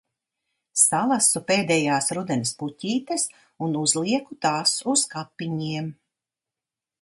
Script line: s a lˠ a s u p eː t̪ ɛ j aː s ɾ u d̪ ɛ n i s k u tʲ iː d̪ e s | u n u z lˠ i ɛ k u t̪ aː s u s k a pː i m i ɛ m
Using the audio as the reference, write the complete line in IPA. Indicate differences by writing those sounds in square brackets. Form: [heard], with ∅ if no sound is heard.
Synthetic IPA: s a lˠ a s u p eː [d̪] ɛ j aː s ɾ u d̪ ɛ n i s [p] u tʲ iː [t̪] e s | u n u z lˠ i ɛ k u t̪ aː s u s k a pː i [ɲ] i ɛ m

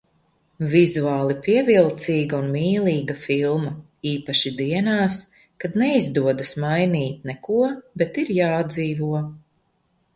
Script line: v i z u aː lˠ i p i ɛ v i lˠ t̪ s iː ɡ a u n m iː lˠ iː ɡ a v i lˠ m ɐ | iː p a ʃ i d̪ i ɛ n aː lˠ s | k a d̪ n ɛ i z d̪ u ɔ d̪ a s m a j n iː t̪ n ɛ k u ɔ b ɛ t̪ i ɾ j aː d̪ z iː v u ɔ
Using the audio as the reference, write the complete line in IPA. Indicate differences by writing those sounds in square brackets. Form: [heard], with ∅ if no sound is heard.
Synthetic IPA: v i z u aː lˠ i p i ɛ v i lˠ t̪ s iː ɡ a u n m iː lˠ iː ɡ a [f] i lˠ m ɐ | iː p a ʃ i d̪ i ɛ n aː [∅] s | k a d̪ n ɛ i z d̪ u ɔ d̪ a s m a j n iː t̪ n ɛ k u ɔ b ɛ t̪ i ɾ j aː d̪ z iː v u ɔ

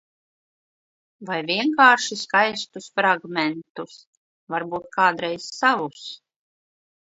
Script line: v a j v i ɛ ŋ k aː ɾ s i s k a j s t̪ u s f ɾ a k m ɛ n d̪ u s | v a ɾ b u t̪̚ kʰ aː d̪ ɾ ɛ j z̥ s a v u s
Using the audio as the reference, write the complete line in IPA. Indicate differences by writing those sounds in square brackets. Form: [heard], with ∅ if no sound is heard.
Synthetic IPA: v a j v i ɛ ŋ k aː ɾ [ʃ] i s k a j s t̪ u s f ɾ a [ɡ] m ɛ n [t̪] u s | v a ɾ b [uː] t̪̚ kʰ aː d̪ ɾ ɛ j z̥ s a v u s

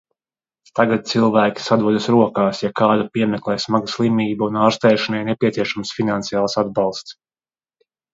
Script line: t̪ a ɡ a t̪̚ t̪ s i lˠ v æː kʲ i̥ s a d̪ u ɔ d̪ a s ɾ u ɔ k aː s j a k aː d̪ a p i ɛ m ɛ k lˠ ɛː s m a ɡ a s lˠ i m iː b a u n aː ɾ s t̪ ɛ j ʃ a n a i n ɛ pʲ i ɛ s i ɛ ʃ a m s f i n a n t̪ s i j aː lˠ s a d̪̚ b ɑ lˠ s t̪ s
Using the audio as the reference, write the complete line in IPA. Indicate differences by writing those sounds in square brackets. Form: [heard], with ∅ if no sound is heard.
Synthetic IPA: t̪ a ɡ a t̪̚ t̪ s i lˠ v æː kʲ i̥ s a d̪ u ɔ d̪ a s ɾ u ɔ k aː s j a k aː d̪ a p i ɛ m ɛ k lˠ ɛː s m a ɡ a s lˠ i m iː b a u n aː ɾ s t̪ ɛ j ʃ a n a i n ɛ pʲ i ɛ s i ɛ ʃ a m s f i n a n t̪ s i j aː lˠ s a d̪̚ b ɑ lˠ s t̪ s

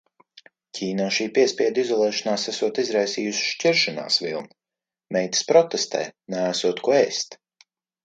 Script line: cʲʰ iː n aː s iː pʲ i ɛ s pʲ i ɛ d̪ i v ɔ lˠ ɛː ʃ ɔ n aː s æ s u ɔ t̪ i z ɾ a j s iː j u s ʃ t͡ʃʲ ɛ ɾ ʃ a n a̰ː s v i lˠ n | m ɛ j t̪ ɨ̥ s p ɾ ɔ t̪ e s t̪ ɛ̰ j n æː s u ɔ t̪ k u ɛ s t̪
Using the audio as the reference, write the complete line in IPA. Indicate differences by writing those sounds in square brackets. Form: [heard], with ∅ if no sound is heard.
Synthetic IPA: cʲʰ iː n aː [ʃ] iː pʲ i ɛ s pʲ i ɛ d̪ i [z] ɔ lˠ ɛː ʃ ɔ n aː s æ s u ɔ t̪ i z ɾ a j s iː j u s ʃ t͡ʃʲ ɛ ɾ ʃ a n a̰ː s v i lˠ n | m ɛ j t̪ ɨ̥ s p ɾ ɔ t̪ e s t̪ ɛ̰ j n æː s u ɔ t̪ k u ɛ s t̪

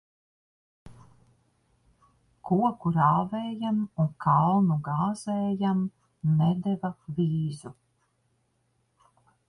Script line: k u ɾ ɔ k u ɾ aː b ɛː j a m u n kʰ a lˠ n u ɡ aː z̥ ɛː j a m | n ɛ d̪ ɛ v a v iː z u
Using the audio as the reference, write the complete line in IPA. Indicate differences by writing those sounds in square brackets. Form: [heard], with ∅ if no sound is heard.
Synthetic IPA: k u [∅] ɔ k u ɾ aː [v] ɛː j a m u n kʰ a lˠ n u ɡ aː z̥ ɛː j a m | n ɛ d̪ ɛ v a v iː z u

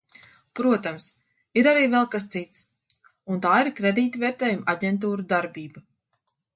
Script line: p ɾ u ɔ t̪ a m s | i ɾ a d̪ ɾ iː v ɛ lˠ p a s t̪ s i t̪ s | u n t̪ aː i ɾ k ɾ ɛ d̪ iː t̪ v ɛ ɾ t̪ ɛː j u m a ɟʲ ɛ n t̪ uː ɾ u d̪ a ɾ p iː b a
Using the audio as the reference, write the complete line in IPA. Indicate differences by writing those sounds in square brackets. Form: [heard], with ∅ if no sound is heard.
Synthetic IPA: p ɾ u ɔ t̪ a m s | i ɾ a [∅] ɾ iː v ɛ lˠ [k] a s t̪ s i t̪ s | u n t̪ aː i ɾ k ɾ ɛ d̪ iː t̪ v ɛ ɾ t̪ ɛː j u m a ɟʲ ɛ n t̪ uː ɾ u d̪ a ɾ [b] iː b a

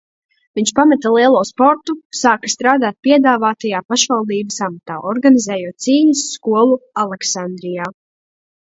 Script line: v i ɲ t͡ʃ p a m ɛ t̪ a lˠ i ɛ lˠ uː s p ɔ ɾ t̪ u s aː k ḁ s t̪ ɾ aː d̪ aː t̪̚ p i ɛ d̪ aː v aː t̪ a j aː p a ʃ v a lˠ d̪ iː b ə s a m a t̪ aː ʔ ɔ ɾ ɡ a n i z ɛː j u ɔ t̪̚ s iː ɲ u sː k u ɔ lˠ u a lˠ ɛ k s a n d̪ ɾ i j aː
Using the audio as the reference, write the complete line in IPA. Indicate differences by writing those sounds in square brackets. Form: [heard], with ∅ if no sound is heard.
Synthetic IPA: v i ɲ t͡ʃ p a m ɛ t̪ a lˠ i ɛ lˠ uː s p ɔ ɾ t̪ u s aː k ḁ s t̪ ɾ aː d̪ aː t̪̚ p i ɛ d̪ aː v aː t̪ a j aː p a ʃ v a lˠ d̪ iː b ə s a m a t̪ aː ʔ ɔ ɾ ɡ a n i z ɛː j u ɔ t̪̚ s iː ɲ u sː k u ɔ lˠ u a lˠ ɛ k s a n d̪ ɾ i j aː

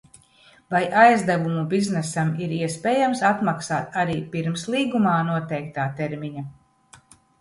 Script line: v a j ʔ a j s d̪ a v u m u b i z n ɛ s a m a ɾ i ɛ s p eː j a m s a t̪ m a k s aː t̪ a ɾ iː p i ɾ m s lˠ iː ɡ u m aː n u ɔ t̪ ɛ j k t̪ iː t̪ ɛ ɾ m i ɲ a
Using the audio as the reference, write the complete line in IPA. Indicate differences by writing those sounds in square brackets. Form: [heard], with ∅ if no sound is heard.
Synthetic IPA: v a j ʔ a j [z] d̪ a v u m u b i z n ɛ s a m [i] ɾ i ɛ s p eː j a m s a t̪ m a k s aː t̪ a ɾ iː p i ɾ m s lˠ iː ɡ u m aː n u ɔ t̪ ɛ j k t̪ [aː] t̪ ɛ ɾ m i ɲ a

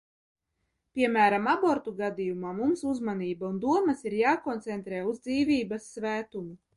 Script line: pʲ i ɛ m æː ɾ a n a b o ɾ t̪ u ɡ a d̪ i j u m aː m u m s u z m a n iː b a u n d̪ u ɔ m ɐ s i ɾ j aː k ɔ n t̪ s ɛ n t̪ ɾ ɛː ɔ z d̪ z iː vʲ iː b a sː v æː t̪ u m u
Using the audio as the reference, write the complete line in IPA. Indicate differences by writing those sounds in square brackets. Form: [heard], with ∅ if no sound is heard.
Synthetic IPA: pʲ i ɛ m æː ɾ a [m] a b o ɾ t̪ u ɡ a d̪ i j u m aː m u m s u z m a n iː b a u n d̪ u ɔ m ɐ s i ɾ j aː k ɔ n t̪ s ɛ n t̪ ɾ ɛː [u] z d̪ z iː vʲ iː b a sː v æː t̪ u m u

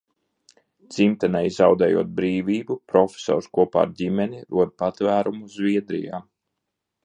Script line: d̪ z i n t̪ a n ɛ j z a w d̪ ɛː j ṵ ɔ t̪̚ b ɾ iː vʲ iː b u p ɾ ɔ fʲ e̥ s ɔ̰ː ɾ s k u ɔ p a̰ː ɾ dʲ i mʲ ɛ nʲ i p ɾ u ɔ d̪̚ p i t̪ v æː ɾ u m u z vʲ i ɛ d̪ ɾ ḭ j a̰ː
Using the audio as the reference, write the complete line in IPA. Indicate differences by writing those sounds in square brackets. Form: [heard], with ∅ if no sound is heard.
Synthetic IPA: d̪ z i [m] t̪ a n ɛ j z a w d̪ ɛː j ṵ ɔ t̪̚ b ɾ iː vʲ iː b u p ɾ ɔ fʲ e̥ s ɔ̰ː ɾ s k u ɔ p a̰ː ɾ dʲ i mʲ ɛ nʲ i [∅] ɾ u ɔ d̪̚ p [a] t̪ v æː ɾ u m u z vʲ i ɛ d̪ ɾ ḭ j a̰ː

